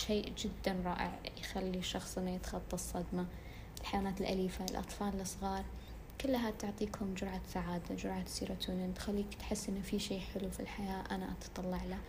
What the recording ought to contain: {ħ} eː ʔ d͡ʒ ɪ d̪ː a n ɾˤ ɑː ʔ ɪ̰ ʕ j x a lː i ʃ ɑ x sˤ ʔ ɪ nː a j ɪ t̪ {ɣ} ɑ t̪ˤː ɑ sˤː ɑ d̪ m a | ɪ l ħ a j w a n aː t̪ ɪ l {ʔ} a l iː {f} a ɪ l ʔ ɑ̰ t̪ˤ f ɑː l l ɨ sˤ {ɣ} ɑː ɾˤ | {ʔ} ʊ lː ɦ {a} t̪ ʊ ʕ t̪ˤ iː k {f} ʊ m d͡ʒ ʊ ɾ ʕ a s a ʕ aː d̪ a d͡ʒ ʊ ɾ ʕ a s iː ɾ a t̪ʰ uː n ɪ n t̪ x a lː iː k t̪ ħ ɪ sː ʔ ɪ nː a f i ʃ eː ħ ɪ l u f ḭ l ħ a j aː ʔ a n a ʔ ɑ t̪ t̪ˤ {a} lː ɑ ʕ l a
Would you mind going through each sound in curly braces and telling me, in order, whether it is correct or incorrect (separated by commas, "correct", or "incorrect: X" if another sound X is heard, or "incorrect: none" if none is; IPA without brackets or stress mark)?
incorrect: ʃ, incorrect: x, correct, correct, correct, incorrect: k, correct, incorrect: h, incorrect: ɑ